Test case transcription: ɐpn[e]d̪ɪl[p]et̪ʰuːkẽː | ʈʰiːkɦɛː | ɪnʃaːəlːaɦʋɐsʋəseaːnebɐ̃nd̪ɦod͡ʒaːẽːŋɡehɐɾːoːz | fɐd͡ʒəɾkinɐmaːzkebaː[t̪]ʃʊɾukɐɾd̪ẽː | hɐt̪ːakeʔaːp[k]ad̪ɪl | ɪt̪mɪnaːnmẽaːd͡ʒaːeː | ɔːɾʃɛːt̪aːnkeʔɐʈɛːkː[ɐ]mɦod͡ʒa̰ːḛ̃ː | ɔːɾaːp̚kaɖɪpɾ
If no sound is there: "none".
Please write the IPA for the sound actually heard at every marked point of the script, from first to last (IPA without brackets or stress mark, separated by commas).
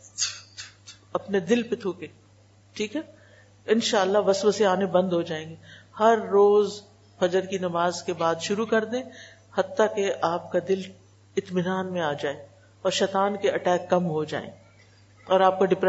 e, p, d̪, k, ɐ